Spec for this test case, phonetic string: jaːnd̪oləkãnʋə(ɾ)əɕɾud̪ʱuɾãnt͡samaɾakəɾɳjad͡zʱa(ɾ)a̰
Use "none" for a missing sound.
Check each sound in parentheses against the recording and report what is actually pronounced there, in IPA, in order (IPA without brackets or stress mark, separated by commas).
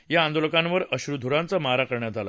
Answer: ɾ, l